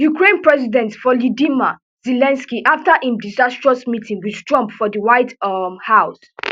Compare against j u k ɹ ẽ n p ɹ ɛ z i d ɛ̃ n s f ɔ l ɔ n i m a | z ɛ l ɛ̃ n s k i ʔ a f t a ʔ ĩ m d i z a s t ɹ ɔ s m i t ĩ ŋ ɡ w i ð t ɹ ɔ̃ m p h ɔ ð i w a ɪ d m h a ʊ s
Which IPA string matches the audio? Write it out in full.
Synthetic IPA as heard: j u k ɹ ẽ n p ɹ ɛ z i d ɛ̃ n t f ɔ l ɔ d i m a | z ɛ l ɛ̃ n s k i ʔ a f t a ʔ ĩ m d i z a s t ɹ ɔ s m i t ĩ ŋ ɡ w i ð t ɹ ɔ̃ m p f ɔ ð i w a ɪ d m h a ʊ s